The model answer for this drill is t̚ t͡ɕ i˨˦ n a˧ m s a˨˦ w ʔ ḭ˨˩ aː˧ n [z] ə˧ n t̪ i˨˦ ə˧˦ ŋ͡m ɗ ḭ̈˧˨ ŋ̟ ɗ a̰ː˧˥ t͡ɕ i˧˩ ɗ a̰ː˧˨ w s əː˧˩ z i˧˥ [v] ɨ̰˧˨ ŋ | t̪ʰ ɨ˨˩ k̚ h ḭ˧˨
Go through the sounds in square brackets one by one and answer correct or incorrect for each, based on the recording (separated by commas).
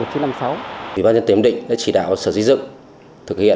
correct, incorrect